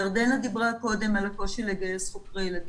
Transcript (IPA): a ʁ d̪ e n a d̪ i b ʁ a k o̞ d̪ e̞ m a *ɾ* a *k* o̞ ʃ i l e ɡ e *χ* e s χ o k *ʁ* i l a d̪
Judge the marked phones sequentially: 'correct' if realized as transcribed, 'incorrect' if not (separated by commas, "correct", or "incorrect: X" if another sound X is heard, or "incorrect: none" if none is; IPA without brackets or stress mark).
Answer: incorrect: l, correct, incorrect: none, correct